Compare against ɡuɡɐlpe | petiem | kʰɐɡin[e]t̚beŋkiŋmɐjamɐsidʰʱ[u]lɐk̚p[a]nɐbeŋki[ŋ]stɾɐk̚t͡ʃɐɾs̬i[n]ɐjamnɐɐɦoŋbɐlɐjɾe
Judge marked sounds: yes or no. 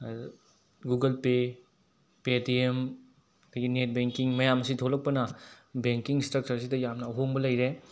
yes, no, no, yes, no

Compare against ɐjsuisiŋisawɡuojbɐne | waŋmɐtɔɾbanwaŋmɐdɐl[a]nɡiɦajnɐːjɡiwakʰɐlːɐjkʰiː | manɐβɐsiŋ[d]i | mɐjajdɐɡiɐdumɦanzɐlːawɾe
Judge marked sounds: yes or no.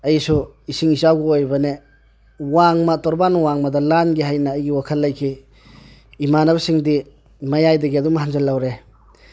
yes, yes

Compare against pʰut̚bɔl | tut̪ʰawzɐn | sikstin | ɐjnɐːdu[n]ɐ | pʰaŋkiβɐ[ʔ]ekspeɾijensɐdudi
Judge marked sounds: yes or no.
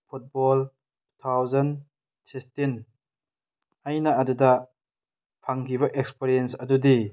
no, yes

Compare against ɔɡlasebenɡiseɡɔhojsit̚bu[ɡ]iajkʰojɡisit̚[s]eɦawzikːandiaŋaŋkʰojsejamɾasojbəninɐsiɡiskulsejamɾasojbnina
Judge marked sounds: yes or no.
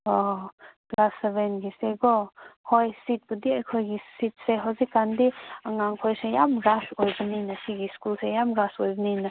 no, yes

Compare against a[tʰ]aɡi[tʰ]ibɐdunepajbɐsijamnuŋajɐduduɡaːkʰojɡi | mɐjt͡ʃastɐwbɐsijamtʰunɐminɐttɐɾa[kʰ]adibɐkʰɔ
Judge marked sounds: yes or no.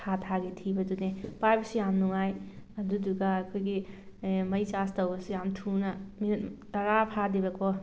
yes, yes, no

